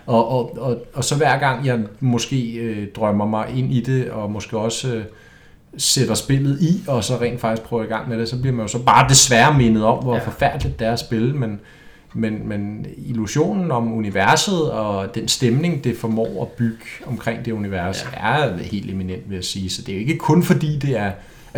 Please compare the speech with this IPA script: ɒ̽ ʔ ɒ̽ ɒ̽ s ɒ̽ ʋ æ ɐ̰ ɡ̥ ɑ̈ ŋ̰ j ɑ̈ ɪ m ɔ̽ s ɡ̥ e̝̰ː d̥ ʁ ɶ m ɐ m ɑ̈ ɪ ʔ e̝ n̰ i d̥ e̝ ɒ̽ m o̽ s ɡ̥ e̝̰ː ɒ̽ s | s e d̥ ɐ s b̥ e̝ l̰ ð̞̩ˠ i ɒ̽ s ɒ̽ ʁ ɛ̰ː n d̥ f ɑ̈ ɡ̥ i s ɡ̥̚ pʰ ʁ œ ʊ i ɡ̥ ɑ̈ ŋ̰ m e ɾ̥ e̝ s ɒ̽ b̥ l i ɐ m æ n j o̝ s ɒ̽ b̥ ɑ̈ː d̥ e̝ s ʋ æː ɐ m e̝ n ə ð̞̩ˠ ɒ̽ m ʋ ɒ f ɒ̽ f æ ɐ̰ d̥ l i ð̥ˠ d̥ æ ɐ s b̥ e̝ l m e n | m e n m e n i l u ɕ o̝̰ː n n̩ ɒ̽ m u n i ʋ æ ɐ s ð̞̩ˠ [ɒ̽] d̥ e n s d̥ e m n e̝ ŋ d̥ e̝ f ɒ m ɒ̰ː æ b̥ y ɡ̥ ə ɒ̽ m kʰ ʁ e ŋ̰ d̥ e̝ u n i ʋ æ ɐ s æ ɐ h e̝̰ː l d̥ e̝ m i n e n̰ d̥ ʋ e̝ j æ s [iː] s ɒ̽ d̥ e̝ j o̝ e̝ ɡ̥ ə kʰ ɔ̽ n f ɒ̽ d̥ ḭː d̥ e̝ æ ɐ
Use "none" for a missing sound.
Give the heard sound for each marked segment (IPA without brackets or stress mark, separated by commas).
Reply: ɒ̽, iː